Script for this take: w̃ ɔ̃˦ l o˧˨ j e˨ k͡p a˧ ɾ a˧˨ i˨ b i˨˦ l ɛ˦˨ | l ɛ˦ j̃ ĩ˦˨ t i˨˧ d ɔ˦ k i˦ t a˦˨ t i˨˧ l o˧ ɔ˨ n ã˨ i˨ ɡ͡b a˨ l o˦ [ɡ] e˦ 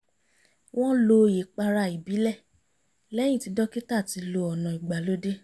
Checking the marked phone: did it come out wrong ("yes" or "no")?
yes